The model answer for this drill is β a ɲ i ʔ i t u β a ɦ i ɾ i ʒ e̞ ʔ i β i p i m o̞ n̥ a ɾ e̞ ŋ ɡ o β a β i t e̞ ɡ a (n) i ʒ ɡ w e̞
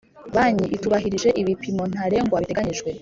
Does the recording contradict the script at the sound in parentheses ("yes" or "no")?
yes